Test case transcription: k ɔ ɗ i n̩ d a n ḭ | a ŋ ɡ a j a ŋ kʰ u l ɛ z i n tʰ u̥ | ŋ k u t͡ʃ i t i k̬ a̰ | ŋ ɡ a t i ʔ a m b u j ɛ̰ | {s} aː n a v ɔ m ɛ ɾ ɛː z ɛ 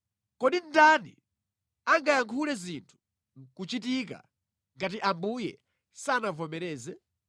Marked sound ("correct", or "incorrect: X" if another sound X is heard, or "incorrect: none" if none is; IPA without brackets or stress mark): correct